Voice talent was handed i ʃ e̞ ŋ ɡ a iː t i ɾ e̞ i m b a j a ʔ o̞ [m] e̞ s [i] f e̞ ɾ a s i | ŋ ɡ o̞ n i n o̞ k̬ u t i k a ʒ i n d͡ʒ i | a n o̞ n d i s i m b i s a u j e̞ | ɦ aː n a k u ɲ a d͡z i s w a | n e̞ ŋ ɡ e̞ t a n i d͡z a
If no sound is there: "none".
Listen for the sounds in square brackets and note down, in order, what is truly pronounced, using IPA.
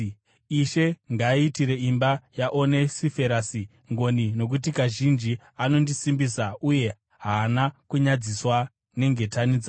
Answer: n, i

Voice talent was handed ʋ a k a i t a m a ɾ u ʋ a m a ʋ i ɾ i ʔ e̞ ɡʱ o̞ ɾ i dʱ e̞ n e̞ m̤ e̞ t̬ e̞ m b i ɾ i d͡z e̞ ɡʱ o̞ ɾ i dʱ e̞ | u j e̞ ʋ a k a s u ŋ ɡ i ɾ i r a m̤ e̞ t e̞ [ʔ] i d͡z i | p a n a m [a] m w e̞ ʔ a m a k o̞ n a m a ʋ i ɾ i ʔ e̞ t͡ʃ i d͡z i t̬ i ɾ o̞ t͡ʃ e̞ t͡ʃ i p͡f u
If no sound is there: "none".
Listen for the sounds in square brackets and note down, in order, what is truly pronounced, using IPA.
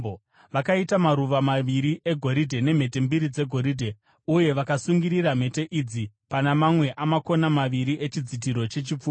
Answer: ʔ, a

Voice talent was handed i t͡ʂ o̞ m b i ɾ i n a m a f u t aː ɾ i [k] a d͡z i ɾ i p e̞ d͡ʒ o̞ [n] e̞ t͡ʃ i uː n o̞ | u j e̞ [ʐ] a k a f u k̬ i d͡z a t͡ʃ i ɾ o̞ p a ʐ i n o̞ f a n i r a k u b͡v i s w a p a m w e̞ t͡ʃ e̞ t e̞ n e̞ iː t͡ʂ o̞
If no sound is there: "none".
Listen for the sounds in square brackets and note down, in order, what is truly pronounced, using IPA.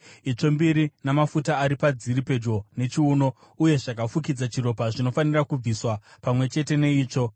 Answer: p, n, ʐ

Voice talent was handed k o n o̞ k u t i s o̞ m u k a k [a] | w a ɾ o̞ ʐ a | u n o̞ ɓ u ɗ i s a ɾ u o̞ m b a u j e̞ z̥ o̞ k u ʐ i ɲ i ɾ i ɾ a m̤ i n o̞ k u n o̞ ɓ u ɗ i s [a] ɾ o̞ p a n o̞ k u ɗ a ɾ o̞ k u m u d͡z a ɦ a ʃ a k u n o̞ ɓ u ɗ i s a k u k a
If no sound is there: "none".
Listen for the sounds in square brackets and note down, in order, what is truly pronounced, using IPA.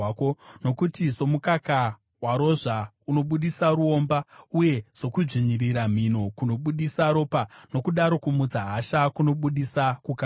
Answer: a, a

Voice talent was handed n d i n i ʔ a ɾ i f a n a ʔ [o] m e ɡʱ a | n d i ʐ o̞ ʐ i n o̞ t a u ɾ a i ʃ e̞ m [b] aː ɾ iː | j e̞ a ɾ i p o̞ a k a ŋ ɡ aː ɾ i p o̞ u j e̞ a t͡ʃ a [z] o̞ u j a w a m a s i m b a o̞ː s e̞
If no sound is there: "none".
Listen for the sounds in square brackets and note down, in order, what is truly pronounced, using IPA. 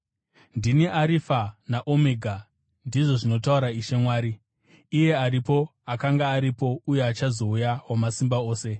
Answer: o, w, z

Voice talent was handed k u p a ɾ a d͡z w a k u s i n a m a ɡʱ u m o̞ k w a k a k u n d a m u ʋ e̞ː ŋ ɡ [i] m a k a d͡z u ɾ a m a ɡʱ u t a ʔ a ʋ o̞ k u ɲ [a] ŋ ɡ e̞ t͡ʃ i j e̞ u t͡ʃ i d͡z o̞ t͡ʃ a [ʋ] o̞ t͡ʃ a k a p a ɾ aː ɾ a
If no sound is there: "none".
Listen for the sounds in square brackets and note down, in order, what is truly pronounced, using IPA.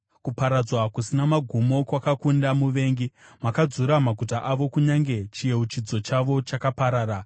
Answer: i, a, ʋ

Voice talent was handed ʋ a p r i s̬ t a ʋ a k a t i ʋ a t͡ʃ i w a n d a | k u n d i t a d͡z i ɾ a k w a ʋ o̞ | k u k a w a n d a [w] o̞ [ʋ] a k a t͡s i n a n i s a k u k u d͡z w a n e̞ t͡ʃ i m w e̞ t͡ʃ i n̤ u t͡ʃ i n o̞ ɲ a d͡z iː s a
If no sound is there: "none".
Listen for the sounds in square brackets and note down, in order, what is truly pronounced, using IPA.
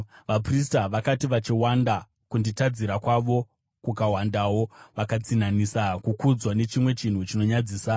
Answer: w, ʋ

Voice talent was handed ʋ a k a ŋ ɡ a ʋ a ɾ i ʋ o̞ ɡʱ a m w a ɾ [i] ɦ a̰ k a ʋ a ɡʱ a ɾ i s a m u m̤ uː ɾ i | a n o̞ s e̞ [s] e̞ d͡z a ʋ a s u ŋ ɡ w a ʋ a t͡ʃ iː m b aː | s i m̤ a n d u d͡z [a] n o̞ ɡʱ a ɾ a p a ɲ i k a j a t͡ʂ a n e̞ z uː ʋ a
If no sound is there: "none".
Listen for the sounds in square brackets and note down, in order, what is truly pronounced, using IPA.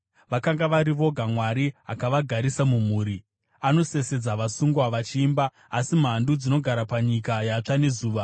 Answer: i, s, i

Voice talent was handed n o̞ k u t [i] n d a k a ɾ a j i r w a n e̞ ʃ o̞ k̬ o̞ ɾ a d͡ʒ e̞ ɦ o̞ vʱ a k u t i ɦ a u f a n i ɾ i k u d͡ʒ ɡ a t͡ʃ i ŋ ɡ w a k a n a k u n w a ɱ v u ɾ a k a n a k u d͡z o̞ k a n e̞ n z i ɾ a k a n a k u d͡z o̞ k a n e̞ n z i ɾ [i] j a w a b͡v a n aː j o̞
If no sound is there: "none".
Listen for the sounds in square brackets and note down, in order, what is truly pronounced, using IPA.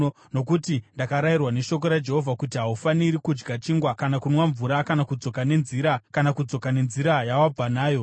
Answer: i, a

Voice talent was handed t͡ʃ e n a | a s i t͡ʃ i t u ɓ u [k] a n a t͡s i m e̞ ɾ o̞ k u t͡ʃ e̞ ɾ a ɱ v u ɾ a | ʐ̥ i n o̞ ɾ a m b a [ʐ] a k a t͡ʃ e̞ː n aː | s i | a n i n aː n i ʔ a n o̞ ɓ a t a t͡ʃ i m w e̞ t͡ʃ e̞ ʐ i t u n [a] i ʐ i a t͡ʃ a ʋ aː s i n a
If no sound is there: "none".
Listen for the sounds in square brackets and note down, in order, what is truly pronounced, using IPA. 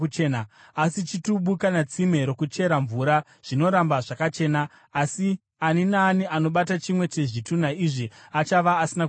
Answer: k, ʐ, a

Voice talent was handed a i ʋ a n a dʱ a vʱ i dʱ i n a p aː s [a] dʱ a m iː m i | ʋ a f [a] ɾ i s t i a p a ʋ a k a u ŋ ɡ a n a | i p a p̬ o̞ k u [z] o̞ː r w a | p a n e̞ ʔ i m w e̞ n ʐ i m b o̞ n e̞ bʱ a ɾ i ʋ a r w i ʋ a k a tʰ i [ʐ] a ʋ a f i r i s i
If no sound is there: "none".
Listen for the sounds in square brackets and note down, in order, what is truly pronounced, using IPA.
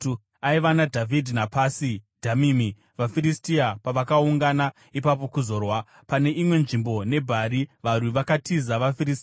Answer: i, i, z, z

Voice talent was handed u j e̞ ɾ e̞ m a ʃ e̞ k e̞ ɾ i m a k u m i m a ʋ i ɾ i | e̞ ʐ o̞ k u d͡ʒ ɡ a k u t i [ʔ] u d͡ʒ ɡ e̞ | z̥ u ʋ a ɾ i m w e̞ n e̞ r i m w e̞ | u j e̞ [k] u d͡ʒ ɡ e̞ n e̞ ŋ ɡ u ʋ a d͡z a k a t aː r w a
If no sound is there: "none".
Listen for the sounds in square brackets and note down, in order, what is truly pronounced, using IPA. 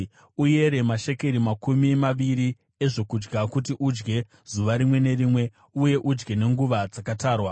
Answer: ʔ, ʔ

